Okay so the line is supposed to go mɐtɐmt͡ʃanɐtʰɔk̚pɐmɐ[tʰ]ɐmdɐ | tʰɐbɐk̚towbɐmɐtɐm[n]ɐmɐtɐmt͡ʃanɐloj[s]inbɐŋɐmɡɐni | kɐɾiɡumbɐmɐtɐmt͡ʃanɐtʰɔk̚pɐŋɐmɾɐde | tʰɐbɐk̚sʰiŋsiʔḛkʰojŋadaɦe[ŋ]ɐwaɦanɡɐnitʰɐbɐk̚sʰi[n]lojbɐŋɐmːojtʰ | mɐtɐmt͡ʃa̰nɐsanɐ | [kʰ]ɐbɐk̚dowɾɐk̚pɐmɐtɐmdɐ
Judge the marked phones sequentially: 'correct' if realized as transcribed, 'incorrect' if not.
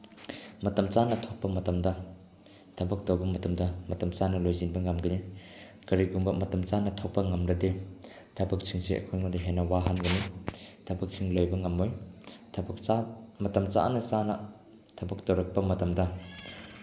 incorrect: t, incorrect: d, incorrect: z, incorrect: n, incorrect: ŋ, incorrect: tʰ

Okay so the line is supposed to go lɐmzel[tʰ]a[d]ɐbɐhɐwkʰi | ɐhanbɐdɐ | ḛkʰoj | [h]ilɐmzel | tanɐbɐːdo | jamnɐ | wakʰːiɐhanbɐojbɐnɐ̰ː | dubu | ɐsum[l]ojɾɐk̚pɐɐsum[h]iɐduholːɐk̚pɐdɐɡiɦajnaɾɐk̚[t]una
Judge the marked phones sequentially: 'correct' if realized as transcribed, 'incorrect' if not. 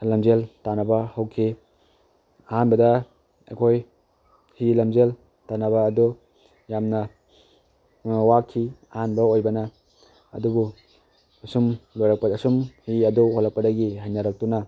incorrect: t, incorrect: n, correct, correct, correct, correct

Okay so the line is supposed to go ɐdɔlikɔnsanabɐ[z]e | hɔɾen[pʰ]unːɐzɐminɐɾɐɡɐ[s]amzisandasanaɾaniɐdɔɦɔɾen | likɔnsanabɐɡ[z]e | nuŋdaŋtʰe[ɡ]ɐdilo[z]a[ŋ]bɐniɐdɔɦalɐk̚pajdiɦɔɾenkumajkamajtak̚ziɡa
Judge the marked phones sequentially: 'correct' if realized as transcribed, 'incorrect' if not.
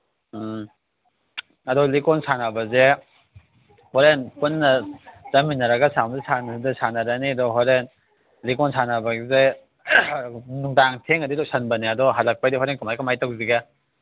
correct, incorrect: p, correct, correct, incorrect: ŋ, incorrect: s, incorrect: n

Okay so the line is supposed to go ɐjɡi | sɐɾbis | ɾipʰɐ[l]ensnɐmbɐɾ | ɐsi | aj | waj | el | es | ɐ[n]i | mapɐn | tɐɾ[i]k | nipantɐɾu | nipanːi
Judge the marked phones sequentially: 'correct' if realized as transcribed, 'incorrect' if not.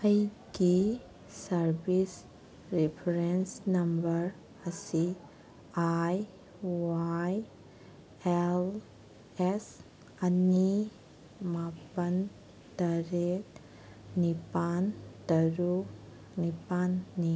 incorrect: ɾ, correct, incorrect: e

